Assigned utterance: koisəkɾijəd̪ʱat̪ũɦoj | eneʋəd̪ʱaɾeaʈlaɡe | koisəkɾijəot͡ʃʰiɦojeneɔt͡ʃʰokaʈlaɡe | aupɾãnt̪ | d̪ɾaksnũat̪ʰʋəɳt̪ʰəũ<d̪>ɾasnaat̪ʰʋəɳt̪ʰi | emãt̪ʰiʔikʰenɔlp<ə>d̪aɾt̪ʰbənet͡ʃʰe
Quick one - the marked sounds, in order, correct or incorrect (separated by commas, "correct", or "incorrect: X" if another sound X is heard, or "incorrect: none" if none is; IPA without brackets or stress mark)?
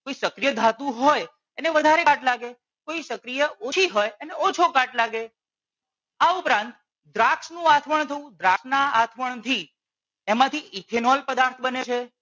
correct, correct